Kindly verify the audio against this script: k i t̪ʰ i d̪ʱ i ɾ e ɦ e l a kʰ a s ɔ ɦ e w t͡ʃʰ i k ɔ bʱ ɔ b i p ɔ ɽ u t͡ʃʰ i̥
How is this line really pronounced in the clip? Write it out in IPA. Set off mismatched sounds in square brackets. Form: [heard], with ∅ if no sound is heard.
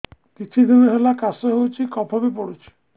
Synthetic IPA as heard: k i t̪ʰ i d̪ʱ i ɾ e ɦ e l a [k] a s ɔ ɦ e w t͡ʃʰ i k ɔ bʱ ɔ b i p ɔ ɽ u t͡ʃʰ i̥